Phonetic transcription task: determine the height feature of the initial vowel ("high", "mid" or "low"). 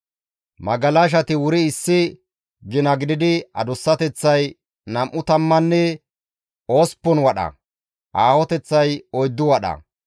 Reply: low